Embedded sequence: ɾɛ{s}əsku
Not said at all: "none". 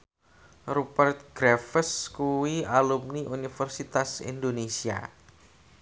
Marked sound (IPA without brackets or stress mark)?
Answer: f